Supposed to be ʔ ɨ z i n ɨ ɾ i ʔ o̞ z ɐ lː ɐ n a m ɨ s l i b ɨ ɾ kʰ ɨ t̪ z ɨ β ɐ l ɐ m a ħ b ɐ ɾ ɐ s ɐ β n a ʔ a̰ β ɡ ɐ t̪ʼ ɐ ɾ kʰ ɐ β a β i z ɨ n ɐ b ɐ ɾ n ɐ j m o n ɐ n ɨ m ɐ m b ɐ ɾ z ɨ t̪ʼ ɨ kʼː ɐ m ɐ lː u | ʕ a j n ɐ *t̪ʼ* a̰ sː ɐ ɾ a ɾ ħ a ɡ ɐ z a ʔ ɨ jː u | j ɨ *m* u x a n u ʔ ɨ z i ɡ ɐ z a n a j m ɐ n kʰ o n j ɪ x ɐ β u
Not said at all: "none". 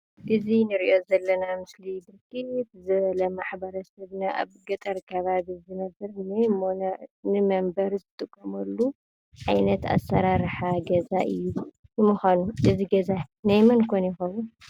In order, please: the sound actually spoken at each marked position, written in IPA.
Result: t̪, m

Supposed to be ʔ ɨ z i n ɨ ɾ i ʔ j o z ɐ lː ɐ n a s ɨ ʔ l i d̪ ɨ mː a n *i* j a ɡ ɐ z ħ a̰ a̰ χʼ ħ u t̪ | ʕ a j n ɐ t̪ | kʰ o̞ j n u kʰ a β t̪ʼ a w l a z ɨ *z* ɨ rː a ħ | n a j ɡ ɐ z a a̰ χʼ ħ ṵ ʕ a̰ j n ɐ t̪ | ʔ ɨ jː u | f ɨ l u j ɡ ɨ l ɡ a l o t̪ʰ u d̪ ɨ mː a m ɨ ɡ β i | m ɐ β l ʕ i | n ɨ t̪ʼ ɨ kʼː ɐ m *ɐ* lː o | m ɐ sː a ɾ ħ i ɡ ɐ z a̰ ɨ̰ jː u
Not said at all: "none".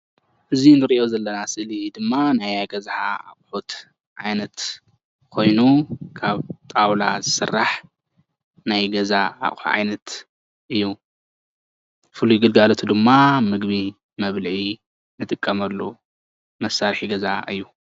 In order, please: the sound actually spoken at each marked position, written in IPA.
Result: a, s, ɐ

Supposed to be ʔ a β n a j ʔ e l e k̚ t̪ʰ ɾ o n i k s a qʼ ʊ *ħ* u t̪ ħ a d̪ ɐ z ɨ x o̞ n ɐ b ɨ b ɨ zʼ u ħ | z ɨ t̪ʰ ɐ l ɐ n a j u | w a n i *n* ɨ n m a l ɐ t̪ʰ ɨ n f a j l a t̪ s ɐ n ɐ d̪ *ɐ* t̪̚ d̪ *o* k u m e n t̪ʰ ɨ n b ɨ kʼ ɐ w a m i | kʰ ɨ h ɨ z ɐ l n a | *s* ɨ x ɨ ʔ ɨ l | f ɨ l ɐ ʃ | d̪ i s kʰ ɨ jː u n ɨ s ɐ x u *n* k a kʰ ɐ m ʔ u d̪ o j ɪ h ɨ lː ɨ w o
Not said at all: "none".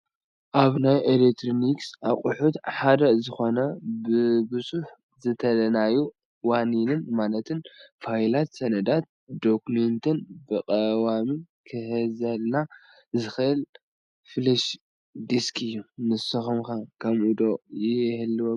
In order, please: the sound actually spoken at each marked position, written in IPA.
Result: ħ, n, a, o, z, m

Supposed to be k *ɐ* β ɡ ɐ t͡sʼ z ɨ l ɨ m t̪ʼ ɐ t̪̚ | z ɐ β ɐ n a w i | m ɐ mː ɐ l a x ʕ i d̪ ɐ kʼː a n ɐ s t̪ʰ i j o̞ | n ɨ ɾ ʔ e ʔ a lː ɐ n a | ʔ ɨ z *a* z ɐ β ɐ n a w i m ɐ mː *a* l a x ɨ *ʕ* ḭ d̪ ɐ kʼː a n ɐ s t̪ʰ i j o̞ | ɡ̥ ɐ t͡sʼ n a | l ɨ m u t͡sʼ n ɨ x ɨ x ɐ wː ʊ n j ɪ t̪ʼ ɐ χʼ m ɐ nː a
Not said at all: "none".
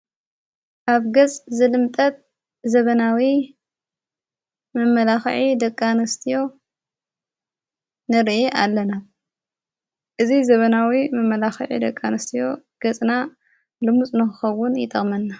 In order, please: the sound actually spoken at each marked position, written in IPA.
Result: a, i, ɐ, ʕ

